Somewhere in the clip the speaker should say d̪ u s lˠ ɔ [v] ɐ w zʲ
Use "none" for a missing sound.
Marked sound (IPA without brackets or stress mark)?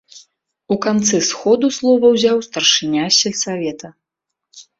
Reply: v